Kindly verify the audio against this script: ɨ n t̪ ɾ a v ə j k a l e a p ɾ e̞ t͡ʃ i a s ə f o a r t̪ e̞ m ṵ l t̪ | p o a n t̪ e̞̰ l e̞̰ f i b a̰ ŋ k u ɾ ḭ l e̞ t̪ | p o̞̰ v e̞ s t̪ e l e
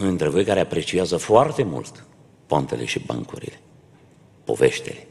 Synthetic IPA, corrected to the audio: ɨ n t̪ ɾ e v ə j k a ɾ e a p ɾ e̞ t͡ʃ i a z ə f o a r t̪ e̞ m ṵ l t̪ | p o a n t̪ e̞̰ l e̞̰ ʃ i b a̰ ŋ k u ɾ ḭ l e̞ | p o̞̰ v e̞ ʃ t̪ e l e